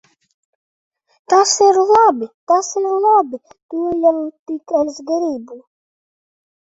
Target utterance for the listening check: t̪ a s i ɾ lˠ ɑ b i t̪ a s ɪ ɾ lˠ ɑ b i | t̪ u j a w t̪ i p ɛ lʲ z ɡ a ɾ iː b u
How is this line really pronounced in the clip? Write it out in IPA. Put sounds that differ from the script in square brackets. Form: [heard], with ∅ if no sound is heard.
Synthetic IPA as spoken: t̪ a s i ɾ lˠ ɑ b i t̪ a s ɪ ɾ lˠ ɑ b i | t̪ u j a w t̪ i [k] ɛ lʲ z ɡ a ɾ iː b u